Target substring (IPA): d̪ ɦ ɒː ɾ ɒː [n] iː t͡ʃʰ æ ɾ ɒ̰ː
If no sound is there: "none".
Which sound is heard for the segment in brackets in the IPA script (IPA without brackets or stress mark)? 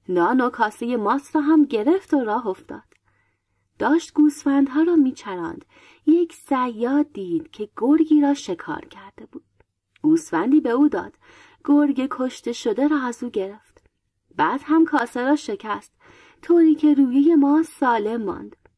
m